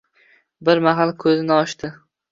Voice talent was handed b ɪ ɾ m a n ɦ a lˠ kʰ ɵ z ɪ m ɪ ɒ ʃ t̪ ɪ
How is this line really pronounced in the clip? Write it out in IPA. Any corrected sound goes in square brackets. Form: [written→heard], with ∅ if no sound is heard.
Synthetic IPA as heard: b ɪ ɾ m a [n→∅] ɦ a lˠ kʰ ɵ z ɪ [m→n] ɪ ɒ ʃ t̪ ɪ